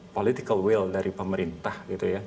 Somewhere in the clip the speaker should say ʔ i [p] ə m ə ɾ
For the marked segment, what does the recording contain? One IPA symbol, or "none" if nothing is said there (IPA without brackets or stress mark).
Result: p